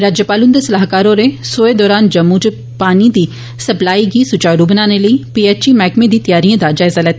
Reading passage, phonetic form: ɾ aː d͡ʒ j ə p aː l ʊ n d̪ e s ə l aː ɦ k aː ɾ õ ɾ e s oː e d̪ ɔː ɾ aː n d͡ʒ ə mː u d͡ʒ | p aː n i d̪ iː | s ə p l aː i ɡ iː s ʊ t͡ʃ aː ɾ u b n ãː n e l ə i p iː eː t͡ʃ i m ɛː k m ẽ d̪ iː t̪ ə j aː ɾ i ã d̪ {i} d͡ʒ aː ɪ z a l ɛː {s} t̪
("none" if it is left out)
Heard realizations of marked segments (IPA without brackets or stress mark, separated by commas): a, none